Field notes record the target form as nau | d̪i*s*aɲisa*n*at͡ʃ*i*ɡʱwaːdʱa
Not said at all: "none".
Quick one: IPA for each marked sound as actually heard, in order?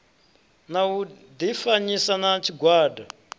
f, n, i

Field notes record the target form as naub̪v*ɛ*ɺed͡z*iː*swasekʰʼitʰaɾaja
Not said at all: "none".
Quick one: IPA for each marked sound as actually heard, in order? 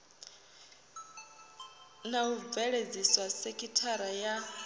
ɛ, i

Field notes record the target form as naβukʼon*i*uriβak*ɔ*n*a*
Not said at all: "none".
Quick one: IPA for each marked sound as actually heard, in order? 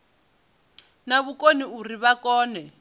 i, ɔː, ɛ

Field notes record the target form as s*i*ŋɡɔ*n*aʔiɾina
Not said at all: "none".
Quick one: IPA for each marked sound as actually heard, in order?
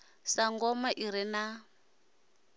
a, m

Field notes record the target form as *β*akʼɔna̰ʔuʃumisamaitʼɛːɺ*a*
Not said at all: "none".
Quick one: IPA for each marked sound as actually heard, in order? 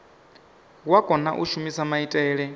w, ɛ

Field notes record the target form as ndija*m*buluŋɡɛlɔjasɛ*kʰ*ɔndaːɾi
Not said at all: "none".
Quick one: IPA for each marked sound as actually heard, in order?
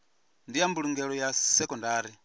m, k

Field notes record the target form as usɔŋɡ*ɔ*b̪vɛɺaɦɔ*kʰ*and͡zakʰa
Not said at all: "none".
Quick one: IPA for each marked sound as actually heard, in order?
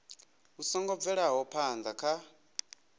ɔ, pʰ

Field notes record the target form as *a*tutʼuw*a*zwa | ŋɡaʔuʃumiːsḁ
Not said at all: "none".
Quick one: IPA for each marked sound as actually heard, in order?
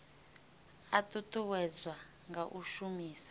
a, ɛ

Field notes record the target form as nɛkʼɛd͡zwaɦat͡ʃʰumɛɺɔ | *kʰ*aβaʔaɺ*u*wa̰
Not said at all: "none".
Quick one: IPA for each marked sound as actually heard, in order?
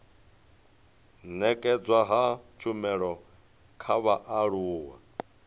kʰ, uː

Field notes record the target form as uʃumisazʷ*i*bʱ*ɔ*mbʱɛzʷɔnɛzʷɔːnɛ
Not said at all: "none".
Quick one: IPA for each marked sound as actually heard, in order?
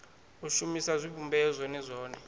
i, u

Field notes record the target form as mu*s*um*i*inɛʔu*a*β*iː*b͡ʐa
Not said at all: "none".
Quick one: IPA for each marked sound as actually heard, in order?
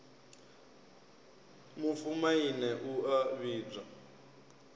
f, a, a, iː

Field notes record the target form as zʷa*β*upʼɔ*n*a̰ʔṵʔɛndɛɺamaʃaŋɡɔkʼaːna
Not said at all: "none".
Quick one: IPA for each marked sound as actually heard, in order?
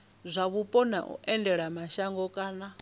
β, n

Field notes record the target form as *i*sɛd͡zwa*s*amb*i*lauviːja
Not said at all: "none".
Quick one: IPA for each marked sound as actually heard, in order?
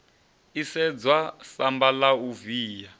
i, s, a

